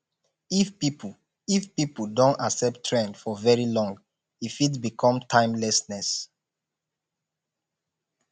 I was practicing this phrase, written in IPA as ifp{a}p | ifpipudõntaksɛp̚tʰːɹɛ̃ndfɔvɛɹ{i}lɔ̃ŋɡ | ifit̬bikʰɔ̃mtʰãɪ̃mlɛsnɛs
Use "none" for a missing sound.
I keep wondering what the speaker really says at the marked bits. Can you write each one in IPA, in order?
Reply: i, i

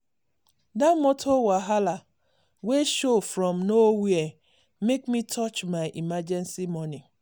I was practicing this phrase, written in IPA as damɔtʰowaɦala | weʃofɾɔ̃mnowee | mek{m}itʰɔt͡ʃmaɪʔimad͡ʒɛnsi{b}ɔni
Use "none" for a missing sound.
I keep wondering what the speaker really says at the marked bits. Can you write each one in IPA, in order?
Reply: m, m

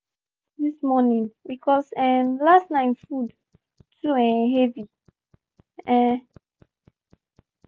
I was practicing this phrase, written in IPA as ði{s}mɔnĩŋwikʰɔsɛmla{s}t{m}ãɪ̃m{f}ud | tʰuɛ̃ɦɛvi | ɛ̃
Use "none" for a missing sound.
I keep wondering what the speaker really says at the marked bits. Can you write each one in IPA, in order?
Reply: s, s, n, f

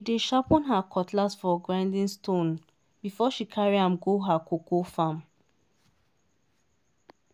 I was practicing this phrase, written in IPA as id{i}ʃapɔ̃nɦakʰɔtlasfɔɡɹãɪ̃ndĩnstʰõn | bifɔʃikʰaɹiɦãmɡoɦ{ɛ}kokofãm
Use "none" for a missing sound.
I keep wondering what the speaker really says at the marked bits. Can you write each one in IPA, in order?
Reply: e, a

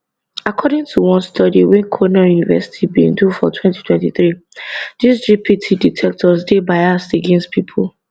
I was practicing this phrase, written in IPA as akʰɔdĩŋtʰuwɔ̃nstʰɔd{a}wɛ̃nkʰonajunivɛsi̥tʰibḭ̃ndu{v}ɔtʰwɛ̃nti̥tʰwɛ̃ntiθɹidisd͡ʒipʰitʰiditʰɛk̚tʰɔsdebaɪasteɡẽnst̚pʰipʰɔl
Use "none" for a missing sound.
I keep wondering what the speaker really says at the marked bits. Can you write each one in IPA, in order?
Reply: i, f

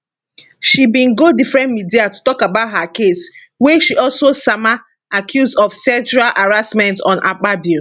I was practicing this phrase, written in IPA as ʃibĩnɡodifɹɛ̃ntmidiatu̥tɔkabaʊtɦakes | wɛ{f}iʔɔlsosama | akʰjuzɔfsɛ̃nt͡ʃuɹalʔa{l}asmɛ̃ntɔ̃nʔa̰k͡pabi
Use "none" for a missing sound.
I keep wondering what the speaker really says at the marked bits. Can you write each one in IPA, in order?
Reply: ʃ, ɹ

